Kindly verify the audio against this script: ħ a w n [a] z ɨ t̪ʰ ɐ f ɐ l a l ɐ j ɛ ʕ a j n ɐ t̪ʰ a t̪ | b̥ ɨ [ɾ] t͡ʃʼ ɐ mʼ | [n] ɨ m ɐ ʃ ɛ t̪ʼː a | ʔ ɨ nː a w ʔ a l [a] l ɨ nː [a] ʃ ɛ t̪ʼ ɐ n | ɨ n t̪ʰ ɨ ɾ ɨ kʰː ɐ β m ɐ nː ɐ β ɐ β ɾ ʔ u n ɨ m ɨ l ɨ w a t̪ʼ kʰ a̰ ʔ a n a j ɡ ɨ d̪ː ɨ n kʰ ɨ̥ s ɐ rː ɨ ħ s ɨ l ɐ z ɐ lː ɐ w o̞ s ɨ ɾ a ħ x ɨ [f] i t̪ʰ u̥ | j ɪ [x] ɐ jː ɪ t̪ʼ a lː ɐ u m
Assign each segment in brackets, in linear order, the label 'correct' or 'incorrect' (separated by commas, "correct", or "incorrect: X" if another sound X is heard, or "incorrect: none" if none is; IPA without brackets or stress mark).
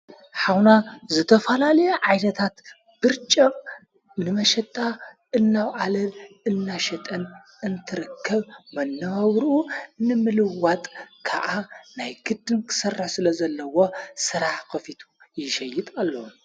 correct, correct, correct, incorrect: ɐ, correct, correct, incorrect: ʃ